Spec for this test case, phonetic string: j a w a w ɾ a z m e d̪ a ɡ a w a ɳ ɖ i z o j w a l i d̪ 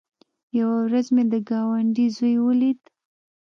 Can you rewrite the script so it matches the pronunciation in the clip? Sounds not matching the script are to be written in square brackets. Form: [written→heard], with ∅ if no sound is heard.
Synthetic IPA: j a w a w ɾ a z m e d̪ [a→ə] ɡ [a→ɑ] w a ɳ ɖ i z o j w [a→ə] l i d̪